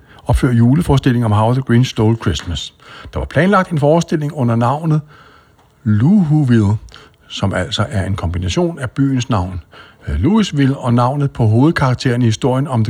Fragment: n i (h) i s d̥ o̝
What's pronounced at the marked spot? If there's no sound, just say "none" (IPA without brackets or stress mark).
h